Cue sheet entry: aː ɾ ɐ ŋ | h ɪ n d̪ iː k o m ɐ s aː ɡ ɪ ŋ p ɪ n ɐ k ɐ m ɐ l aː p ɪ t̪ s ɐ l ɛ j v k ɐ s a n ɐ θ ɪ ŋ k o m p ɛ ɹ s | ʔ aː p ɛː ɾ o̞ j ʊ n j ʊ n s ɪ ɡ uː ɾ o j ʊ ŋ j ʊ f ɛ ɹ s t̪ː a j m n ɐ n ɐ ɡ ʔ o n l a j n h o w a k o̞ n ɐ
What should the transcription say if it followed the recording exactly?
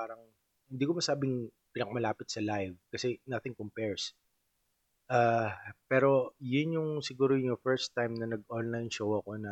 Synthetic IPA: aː ɾ ɐ ŋ | h ɪ n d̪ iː k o m ɐ s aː b ɪ ŋ p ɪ n ɐ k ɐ m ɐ l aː p ɪ t̪ s ɐ l a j v k ɐ s ɛ n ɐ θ ɪ ŋ k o m p ɛ ɹ s | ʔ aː p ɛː ɾ o̞ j ʊ n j ʊ ŋ s ɪ ɡ uː ɾ o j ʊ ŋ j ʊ f ɛ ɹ s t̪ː a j m n ɐ n ɐ ɡ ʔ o n l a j n ʃ o w ɐ k o̞ n ɐ